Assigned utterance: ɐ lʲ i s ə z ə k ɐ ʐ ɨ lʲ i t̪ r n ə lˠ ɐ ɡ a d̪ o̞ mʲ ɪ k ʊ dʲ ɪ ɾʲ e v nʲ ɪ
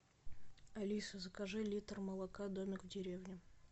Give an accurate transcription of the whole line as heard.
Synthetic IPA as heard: ɐ lʲ i s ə z ə k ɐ ʐ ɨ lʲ i t̪ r m ə lˠ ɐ k a d̪ o̞ mʲ ɪ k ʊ dʲ ɪ ɾʲ e v nʲ ɪ